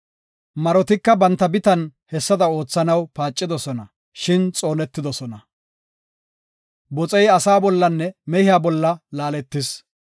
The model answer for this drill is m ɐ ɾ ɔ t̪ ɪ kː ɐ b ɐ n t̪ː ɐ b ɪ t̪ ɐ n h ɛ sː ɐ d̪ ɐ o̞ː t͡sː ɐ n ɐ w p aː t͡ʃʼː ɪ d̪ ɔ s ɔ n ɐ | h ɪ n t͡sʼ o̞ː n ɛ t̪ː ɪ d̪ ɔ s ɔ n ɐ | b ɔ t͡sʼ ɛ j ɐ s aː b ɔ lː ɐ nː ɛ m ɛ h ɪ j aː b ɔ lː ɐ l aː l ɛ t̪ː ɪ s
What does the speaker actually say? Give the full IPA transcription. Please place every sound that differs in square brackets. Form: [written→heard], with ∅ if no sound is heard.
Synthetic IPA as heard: m ɐ ɾ ɔ t̪ ɪ kː ɐ b ɐ n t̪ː ɐ b ɪ t̪ ɐ n h ɛ sː ɐ d̪ ɐ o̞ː t͡sː ɐ n ɐ w p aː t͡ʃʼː ɪ d̪ ɔ s ɔ n ɐ | [h→ʃ] ɪ n t͡sʼ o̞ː n ɛ t̪ː ɪ d̪ ɔ s ɔ n ɐ | b ɔ t͡sʼ ɛ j ɐ s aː b ɔ lː ɐ nː ɛ m ɛ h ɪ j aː b ɔ lː ɐ l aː l ɛ t̪ː ɪ s